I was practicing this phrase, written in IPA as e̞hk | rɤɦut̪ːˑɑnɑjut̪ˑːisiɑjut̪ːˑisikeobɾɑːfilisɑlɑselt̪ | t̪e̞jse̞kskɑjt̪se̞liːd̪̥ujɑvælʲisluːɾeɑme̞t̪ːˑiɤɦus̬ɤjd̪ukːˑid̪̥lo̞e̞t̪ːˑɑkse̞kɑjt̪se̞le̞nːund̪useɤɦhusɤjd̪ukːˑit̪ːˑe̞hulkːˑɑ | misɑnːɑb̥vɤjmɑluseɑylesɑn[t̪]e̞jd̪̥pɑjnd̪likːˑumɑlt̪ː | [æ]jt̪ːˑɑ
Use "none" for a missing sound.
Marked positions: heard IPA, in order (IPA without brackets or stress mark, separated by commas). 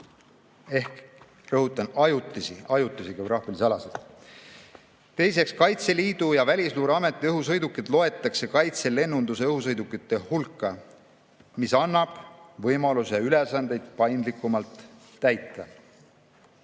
d̪, æ